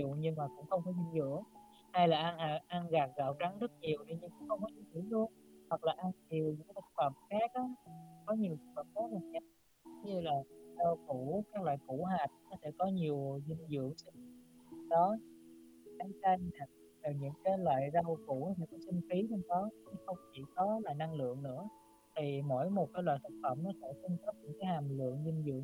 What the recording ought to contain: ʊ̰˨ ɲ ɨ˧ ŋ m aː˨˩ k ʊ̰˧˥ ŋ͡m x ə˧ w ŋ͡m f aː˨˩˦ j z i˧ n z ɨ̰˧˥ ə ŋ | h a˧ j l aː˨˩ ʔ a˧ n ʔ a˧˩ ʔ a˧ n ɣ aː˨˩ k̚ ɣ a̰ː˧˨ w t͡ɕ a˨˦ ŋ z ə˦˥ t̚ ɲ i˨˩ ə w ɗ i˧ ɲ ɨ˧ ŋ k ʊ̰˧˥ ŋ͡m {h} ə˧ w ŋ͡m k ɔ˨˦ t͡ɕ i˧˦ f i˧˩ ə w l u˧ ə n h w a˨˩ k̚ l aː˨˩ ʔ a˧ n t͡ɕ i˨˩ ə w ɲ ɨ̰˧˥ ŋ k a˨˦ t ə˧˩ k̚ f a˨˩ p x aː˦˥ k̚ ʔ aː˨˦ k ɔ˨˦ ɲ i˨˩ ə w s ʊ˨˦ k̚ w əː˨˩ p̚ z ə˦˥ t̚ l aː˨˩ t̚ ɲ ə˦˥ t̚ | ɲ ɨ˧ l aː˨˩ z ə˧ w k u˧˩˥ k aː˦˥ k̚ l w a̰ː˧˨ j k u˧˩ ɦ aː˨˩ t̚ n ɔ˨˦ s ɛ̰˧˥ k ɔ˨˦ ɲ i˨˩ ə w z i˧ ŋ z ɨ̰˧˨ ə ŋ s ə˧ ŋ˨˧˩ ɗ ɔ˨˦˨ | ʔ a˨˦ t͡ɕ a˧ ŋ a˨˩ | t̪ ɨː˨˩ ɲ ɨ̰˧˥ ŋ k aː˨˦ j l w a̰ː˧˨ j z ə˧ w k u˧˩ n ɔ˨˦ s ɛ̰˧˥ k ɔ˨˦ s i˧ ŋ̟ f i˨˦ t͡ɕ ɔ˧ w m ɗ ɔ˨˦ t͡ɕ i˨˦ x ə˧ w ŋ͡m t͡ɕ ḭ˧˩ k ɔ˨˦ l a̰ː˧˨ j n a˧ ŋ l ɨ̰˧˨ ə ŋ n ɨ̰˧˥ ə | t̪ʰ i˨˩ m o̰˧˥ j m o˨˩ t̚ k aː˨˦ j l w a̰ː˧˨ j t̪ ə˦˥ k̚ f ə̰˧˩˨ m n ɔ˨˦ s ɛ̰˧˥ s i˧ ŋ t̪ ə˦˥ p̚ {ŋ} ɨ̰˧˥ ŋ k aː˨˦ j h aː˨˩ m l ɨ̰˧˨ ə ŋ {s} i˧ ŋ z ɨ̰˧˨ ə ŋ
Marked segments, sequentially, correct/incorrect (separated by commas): incorrect, incorrect, incorrect